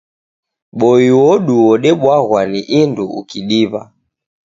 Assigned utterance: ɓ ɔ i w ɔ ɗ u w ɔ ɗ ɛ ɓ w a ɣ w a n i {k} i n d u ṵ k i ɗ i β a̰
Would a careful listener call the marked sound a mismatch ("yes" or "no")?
yes